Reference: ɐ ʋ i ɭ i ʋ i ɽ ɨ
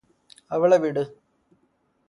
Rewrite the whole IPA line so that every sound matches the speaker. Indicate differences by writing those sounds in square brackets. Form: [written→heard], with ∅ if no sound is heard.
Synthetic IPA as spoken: ɐ ʋ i ɭ [i→e] ʋ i ɽ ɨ